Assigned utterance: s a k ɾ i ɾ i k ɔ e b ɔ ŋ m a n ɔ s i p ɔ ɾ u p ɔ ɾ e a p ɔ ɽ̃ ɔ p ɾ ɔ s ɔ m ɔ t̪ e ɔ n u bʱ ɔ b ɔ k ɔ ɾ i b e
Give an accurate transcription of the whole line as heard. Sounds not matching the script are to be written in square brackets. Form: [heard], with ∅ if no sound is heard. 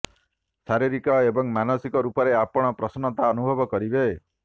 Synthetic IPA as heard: s a [∅] ɾ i ɾ i k ɔ e b ɔ ŋ m a n ɔ s i [k] ɔ ɾ u p ɔ ɾ e a p ɔ ɽ̃ ɔ p ɾ ɔ s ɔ [n] ɔ t̪ [a] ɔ n u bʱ ɔ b ɔ k ɔ ɾ i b e

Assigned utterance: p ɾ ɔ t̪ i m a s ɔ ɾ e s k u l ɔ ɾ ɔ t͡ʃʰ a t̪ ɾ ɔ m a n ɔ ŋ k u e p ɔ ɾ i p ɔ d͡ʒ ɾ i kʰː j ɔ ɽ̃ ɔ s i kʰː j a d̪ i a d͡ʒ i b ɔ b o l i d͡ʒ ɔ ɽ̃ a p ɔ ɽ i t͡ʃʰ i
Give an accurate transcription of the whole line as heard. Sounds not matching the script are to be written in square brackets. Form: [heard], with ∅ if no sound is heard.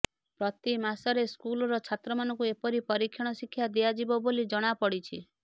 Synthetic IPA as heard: p ɾ ɔ t̪ i m a s ɔ ɾ e s k u l ɔ ɾ ɔ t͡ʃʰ a t̪ ɾ ɔ m a n ɔ ŋ k u e p ɔ ɾ i p ɔ [∅] ɾ i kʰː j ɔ ɽ̃ ɔ s i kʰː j a d̪ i a d͡ʒ i b ɔ b o l i d͡ʒ ɔ ɽ̃ a p ɔ ɽ i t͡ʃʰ i

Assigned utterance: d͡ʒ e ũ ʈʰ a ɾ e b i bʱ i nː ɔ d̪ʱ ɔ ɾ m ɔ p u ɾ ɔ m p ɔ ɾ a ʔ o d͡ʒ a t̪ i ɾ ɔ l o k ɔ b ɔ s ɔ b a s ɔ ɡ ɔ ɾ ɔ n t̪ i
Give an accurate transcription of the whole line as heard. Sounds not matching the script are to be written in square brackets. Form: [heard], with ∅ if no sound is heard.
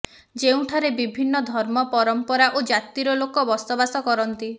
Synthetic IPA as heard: d͡ʒ e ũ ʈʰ a ɾ e b i bʱ i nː ɔ d̪ʱ ɔ ɾ m ɔ p [ɔ] ɾ ɔ m p ɔ ɾ a ʔ o d͡ʒ a t̪ i ɾ ɔ l o k ɔ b ɔ s ɔ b a s ɔ [k] ɔ ɾ ɔ n t̪ i

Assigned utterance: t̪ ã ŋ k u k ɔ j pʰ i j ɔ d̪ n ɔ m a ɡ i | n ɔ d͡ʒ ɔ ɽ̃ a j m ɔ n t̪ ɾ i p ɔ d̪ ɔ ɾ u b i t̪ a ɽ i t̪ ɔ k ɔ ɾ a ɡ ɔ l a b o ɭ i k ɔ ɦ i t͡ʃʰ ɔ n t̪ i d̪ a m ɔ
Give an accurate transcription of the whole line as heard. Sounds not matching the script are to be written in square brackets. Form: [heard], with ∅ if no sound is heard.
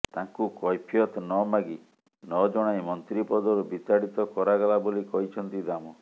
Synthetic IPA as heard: t̪ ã ŋ k u k ɔ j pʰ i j ɔ [t̪] n ɔ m a ɡ i | n ɔ d͡ʒ ɔ ɽ̃ a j m ɔ n t̪ ɾ i p ɔ d̪ ɔ ɾ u b i t̪ a ɽ i t̪ ɔ k ɔ ɾ a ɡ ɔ l a b o [l] i k ɔ ɦ i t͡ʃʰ ɔ n t̪ i d̪ a m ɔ

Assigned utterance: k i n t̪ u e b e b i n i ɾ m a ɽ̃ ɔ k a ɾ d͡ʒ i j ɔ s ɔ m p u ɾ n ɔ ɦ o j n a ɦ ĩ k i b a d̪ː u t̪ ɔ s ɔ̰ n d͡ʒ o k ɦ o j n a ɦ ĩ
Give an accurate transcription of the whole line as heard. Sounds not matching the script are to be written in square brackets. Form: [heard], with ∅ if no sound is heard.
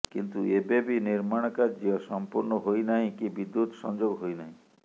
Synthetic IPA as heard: k i n t̪ u e b e b i n i ɾ m a ɽ̃ ɔ k a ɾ d͡ʒ i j ɔ s ɔ m p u ɾ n ɔ ɦ o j n a ɦ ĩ k i b [i] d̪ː u t̪ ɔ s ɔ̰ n d͡ʒ o [ɡ] ɦ o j n a ɦ ĩ

